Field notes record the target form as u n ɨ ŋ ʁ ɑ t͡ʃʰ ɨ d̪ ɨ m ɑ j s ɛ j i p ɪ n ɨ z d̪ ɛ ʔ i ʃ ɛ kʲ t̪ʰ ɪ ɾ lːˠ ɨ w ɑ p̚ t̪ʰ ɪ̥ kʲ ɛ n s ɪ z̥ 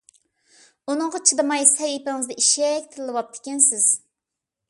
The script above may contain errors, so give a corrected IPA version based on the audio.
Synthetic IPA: u n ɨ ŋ ʁ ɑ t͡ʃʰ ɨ d̪ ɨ m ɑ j s ɛ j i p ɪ ŋ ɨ z d̪ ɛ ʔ i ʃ ɛ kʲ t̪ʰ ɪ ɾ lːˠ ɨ w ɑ p̚ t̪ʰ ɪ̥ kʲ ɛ n s ɪ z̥